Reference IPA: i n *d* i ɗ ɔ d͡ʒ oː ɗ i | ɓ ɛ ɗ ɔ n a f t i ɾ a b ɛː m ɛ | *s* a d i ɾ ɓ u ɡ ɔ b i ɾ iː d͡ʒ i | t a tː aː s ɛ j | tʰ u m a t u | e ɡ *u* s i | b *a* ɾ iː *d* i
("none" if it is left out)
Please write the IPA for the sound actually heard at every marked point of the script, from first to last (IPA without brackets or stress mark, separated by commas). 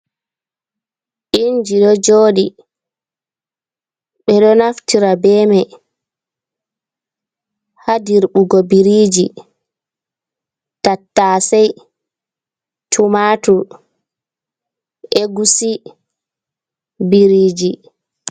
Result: d͡ʒ, h, u, i, d͡ʒ